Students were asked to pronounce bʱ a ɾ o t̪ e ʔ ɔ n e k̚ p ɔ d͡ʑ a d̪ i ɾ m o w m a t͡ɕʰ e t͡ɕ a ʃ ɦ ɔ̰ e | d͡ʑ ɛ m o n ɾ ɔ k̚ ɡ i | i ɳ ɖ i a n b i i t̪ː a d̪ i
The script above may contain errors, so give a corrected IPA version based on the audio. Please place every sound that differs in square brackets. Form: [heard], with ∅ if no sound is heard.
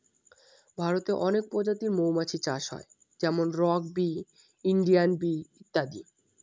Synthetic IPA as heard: bʱ a ɾ o t̪ e ʔ ɔ n e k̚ p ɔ d͡ʑ a [t̪] i ɾ m o w m a t͡ɕʰ [i] t͡ɕ a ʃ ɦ ɔ̰ e | d͡ʑ ɛ m o n ɾ ɔ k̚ [b] i | i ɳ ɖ i a n b i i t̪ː a d̪ i

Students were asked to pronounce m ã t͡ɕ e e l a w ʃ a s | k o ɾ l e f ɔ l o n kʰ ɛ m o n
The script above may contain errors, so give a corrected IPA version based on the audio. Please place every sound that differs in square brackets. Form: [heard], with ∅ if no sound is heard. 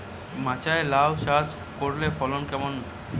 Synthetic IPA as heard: m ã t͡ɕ [a] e l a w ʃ a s | k o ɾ l e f ɔ l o n [k] ɛ m o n

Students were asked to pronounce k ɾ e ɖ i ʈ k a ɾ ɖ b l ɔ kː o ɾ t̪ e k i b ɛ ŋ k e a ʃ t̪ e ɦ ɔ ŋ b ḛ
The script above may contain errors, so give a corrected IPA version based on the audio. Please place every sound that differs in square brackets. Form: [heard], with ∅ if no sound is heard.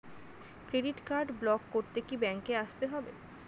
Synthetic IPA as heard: k ɾ e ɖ i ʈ k a ɾ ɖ b l ɔ kː o ɾ t̪ e k i b ɛ ŋ k e a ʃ t̪ e ɦ ɔ [∅] b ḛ

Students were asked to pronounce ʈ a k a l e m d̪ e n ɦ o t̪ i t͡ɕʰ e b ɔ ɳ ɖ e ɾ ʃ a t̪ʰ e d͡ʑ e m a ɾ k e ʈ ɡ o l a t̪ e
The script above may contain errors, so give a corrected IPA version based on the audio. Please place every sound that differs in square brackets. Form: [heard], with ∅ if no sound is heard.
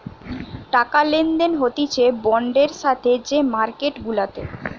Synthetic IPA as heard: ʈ a k a l e [n] d̪ e n ɦ o t̪ i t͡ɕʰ e b ɔ ɳ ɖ e ɾ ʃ a t̪ʰ e d͡ʑ e m a ɾ k e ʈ ɡ [u] l a t̪ e

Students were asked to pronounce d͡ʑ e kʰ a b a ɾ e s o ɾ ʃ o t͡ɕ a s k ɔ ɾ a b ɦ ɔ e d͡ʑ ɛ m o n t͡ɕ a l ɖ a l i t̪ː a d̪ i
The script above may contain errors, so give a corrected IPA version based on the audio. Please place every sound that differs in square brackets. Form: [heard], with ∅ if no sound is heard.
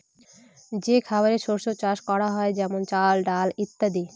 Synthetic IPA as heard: d͡ʑ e kʰ a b a ɾ e [ʃ] o ɾ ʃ o t͡ɕ a [ʃ] k ɔ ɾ a [∅] ɦ ɔ e d͡ʑ ɛ m o n t͡ɕ a l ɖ a l i t̪ː a d̪ i

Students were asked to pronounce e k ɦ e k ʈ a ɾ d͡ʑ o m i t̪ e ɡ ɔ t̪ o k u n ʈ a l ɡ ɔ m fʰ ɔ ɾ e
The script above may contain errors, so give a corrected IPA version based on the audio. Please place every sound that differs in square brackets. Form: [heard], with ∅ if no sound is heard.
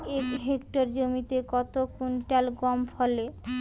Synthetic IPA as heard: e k ɦ e k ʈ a ɾ d͡ʑ o m i t̪ e [k] ɔ t̪ o k u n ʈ a l ɡ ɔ m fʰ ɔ [l] e

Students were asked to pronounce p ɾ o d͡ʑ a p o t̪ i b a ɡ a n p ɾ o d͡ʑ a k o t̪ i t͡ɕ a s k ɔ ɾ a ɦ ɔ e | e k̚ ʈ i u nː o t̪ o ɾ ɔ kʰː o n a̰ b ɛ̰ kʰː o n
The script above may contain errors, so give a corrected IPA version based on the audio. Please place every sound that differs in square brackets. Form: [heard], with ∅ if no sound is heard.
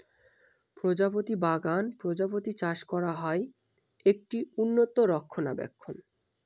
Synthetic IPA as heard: p ɾ o d͡ʑ a p o t̪ i b a ɡ a n p ɾ o d͡ʑ a [p] o t̪ i t͡ɕ a [ʃ] k ɔ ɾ a ɦ ɔ e | e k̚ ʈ i u nː o t̪ o ɾ ɔ kʰː o n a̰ b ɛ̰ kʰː o n

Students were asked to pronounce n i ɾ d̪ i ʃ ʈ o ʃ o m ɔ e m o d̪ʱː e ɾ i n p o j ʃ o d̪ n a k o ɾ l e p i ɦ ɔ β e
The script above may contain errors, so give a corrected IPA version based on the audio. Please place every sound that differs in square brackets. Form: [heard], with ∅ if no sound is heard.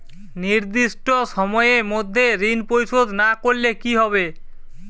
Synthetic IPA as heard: n i ɾ d̪ i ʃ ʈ o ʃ [ɔ] m ɔ e m o d̪ʱː e ɾ i n p o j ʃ o d̪ n a k o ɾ l e [k] i ɦ ɔ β e

